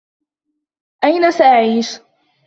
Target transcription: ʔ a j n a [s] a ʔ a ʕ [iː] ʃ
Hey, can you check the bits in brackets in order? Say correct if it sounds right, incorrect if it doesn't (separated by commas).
correct, correct